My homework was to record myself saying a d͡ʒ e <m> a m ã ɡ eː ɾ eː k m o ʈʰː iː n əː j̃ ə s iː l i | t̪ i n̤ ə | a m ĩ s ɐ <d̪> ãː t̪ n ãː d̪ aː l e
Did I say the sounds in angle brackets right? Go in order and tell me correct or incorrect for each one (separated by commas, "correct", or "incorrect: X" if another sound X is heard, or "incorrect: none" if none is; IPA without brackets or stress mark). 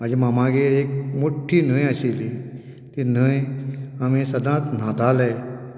correct, correct